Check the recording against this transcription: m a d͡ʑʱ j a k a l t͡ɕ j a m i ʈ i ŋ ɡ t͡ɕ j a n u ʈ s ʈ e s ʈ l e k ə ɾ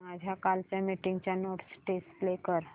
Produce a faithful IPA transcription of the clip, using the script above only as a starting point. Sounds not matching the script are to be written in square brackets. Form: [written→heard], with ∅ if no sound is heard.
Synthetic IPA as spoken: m a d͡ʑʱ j a k a l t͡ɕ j a m i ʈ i ŋ ɡ t͡ɕ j a n [u→o] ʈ s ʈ e s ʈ l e k ə ɾ

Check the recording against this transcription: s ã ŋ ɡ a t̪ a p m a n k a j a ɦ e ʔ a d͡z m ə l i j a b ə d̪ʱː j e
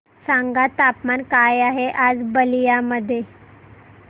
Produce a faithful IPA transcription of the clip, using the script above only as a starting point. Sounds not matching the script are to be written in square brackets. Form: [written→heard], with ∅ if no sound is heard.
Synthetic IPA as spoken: s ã ŋ ɡ a t̪ a p m a n k a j a ɦ e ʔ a d͡z [m→b] ə l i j a [b→m] ə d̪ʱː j e

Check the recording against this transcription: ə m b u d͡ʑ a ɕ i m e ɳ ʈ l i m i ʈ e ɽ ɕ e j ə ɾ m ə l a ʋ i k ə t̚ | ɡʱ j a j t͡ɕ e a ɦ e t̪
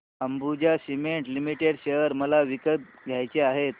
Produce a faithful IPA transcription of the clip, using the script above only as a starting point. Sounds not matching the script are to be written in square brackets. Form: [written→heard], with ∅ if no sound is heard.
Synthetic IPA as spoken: ə m b u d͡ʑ a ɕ i m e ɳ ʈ l i m i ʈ e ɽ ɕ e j ə ɾ m ə l a ʋ i k ə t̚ | ɡʱ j a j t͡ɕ e a ɦ e t̪

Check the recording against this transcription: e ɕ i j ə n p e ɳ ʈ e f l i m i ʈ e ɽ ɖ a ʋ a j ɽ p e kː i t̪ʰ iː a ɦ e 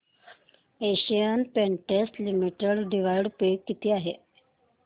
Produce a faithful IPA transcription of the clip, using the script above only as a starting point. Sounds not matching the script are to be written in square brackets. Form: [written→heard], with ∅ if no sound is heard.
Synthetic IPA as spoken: e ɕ i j ə n p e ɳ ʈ e [f→s] l i m i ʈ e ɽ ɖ [a→i] ʋ a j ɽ p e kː i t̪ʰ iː a ɦ e

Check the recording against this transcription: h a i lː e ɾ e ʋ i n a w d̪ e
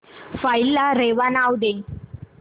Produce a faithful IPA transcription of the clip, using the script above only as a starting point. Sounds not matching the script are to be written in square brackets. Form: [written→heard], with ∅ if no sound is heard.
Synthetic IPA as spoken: [h→f] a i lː [e→a] ɾ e ʋ [i→a] n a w d̪ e

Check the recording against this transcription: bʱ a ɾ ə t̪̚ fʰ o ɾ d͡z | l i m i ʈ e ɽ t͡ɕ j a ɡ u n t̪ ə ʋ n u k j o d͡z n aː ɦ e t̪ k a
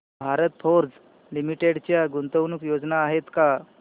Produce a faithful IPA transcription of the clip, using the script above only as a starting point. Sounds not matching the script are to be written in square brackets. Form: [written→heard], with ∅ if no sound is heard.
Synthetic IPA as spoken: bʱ a ɾ ə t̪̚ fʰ o ɾ d͡z | l i m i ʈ e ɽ t͡ɕ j a ɡ u n t̪ ə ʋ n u k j o d͡z n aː ɦ e t̪ k a

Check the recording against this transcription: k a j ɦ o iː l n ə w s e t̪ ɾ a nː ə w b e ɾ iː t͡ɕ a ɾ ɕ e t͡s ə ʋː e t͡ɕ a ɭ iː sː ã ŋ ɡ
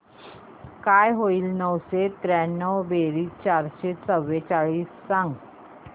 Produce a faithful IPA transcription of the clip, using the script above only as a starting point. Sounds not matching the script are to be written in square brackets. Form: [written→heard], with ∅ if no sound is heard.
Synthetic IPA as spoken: k a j ɦ o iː l n ə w s e t̪ ɾ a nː ə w b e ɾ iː t͡ɕ a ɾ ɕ e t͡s ə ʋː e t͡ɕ a ɭ iː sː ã ŋ ɡ

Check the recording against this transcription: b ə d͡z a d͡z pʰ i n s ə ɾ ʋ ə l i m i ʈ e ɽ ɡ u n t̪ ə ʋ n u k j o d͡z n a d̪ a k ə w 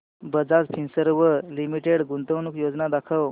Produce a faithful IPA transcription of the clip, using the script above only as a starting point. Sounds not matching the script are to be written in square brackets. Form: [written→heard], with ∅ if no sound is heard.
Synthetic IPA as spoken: b ə d͡z a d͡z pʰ i n s ə ɾ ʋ ə l i m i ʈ e ɽ ɡ u n t̪ ə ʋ n u k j o d͡z n a d̪ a [k→kʰ] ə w

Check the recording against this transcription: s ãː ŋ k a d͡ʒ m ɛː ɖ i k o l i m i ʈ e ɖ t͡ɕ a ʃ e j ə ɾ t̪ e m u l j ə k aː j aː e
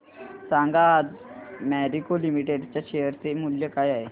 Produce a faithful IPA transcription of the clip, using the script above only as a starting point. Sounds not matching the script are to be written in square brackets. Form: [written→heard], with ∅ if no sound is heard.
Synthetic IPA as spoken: s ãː ŋ [k→ɡ] a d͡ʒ m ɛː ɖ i k o l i m i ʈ e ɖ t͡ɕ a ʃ e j ə ɾ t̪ e m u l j ə k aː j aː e

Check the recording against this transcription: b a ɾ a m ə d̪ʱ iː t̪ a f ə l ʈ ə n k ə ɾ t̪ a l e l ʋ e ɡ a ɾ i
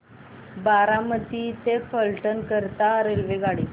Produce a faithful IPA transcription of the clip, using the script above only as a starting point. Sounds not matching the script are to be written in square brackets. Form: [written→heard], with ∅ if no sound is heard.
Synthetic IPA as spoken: b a ɾ a m ə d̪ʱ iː t̪ [a→e] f ə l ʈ ə n k ə ɾ t̪ a [l→ɾ] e l ʋ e ɡ a [ɾ→ɽ] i

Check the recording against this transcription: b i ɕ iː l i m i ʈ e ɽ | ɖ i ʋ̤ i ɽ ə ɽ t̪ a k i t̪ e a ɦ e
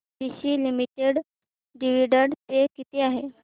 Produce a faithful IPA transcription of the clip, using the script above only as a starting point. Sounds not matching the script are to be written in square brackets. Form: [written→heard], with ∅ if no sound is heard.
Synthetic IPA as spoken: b i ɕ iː l i m i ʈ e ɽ | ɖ i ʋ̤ i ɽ ə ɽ t̪ [a→e] k i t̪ e a ɦ e

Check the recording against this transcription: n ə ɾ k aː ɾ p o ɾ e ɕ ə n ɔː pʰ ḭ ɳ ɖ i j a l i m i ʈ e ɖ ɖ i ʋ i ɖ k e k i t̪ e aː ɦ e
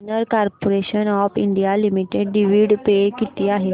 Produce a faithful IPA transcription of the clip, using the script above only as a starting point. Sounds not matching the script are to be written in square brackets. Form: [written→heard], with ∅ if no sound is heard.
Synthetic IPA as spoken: n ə ɾ k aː ɾ p o ɾ e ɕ ə n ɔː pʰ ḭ ɳ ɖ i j a l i m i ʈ e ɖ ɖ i ʋ i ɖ [k→p] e k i t̪ [e→i] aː ɦ e

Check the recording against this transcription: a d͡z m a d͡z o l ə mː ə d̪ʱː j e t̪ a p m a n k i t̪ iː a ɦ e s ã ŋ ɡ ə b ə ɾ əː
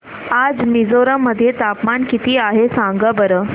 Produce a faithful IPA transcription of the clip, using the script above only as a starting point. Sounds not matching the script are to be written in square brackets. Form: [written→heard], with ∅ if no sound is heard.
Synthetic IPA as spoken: a d͡z m [a→i] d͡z o [l→ɾ] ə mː ə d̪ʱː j e t̪ a p m a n k i t̪ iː a ɦ e s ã ŋ ɡ ə b ə ɾ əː

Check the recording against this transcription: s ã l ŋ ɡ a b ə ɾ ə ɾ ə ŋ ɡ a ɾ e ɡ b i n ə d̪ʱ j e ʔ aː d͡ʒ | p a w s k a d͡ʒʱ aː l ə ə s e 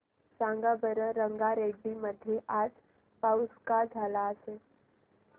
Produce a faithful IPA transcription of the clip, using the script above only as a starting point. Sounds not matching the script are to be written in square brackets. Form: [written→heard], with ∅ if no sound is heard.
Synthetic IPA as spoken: s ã [l→∅] ŋ ɡ a b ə ɾ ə ɾ ə ŋ ɡ a ɾ e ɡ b i [n→m] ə d̪ʱ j e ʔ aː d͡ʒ | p a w s k a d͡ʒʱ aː l [ə→a] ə s e

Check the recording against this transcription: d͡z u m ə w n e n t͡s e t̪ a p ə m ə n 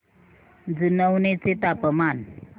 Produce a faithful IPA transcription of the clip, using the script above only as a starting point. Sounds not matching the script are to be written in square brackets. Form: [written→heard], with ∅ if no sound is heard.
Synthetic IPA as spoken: d͡z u [m→n] ə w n e [n→∅] t͡s e t̪ a p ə m [ə→a] n

